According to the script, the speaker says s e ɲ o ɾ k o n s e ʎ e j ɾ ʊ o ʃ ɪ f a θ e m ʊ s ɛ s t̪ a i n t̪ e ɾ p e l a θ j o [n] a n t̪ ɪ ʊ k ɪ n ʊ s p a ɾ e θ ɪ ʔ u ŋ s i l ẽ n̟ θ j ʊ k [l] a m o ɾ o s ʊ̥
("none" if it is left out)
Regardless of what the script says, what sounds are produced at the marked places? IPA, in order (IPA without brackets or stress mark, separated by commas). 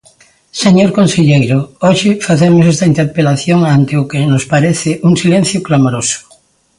ŋ, l